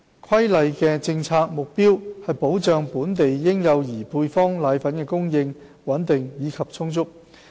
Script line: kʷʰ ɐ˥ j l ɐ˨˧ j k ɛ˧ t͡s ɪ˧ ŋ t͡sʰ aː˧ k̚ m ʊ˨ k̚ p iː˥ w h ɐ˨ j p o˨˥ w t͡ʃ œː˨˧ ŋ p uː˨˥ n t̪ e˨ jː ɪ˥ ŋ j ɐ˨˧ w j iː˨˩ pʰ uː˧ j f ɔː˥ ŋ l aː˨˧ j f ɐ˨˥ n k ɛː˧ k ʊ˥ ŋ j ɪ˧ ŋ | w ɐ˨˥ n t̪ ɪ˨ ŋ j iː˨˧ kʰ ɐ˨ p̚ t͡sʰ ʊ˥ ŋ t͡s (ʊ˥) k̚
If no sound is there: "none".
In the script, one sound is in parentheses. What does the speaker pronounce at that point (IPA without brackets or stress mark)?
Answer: ʊ˥